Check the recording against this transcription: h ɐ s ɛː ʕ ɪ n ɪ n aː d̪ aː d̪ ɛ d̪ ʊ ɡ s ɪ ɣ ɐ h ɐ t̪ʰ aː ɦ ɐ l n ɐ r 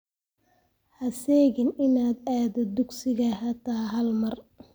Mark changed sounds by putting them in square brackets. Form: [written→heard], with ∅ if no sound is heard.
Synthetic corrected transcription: h ɐ s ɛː [ʕ→ɣ] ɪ n ɪ n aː d̪ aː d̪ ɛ d̪ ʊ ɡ s ɪ ɣ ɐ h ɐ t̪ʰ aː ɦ ɐ l [n→m] ɐ r